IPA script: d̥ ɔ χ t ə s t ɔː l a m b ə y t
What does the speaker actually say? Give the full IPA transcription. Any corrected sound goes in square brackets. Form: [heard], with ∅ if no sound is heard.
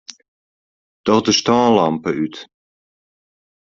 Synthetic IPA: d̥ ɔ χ [d] ə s t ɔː l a m [p] ə y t